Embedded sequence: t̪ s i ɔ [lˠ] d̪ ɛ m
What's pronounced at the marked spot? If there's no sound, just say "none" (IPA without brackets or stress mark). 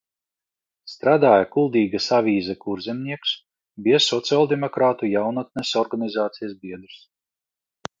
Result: lˠ